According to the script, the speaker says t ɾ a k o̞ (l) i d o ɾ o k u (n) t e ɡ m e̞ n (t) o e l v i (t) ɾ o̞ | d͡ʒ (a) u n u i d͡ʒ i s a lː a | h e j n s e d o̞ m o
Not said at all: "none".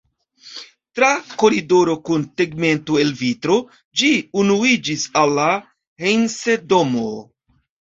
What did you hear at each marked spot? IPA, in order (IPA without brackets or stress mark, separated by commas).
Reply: ɾ, n, t, t, i